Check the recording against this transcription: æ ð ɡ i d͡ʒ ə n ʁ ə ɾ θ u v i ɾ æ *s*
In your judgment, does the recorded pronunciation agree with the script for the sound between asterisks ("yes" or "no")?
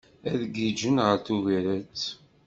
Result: no